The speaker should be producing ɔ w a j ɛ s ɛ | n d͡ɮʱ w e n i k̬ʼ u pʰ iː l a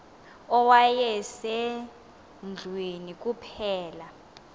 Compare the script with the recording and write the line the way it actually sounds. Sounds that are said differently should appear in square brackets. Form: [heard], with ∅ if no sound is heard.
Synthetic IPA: ɔ w a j ɛ s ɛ | n d͡ɮʱ w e n i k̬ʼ u pʰ [ɛː] l a